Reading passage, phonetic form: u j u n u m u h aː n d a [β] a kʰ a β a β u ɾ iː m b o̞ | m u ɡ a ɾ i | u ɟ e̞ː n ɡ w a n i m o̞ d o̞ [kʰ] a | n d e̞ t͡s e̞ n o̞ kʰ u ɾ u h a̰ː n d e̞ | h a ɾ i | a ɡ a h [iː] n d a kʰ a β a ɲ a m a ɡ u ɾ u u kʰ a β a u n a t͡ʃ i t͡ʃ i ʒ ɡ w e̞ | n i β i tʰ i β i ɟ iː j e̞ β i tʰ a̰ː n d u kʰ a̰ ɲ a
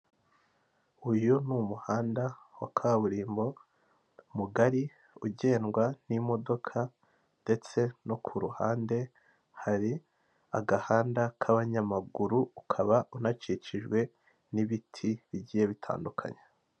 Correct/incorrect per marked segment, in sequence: incorrect, correct, incorrect

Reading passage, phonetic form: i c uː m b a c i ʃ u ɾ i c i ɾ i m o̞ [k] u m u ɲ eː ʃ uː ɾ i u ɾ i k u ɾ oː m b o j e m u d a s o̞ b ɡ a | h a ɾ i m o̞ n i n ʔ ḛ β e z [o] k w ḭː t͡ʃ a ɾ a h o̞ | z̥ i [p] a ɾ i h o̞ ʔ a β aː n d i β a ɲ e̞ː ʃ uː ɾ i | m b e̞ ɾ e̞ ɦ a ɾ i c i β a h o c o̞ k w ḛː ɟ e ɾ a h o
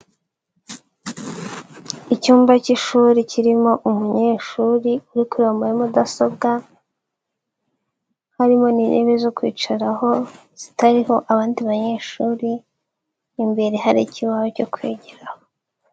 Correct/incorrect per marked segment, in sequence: incorrect, correct, incorrect

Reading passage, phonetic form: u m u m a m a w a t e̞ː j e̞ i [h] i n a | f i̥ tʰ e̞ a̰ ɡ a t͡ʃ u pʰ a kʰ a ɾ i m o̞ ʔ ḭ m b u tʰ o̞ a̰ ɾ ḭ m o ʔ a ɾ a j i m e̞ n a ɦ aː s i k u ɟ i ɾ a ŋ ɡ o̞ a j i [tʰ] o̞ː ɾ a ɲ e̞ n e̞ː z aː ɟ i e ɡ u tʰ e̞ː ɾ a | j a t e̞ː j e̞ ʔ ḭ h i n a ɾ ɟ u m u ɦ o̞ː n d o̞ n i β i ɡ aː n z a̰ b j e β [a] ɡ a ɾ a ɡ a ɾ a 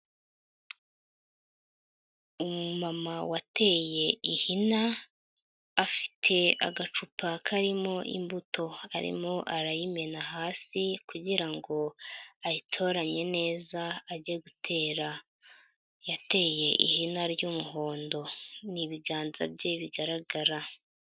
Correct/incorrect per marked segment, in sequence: correct, correct, incorrect

